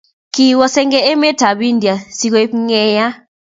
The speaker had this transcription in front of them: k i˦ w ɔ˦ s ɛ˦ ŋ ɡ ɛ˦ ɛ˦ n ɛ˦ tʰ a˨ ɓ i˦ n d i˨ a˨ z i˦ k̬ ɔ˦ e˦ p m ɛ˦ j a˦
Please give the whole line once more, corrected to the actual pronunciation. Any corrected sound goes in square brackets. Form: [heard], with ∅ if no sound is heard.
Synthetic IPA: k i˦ w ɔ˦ s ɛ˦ ŋ ɡ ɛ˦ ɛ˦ [m] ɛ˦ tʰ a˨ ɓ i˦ n d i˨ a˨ [s] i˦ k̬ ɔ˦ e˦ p [ŋ] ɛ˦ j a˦